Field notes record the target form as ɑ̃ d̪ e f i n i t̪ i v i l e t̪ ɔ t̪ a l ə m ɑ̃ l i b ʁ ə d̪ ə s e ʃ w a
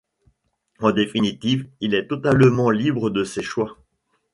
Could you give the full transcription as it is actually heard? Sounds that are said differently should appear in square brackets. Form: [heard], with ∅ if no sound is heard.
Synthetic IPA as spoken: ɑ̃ d̪ e f i n i t̪ i v i l [ɛ] t̪ ɔ t̪ a l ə m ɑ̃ l i b ʁ ə d̪ ə s e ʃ w a